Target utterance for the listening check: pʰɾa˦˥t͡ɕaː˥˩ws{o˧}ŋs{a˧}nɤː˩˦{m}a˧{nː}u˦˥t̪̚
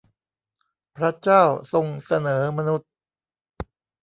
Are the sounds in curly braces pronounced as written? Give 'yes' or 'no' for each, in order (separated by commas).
yes, yes, yes, no